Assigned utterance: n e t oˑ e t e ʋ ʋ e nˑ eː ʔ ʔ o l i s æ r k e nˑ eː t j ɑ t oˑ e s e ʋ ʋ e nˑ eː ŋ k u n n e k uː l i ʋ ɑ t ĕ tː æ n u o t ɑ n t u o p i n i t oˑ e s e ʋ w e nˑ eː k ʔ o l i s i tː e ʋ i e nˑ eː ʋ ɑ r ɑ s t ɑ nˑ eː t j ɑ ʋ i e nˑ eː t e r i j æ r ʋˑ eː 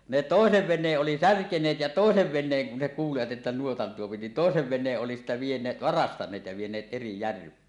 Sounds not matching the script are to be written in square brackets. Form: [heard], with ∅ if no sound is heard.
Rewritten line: n e t oˑ e [s] e ʋ ʋ e nˑ eː ʔ ʔ o l i s æ r k e nˑ eː t j ɑ t oˑ e s e ʋ ʋ e nˑ eː ŋ k u n n e k uː l i ʋ ɑ t ĕ tː æ n u o t ɑ n t u o p i n i t oˑ e s e ʋ [ʋ] e nˑ eː [ʔ] ʔ o l i s i tː e ʋ i e nˑ eː ʋ ɑ r ɑ s t ɑ nˑ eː t j ɑ ʋ i e nˑ eː t e r i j æ r ʋˑ eː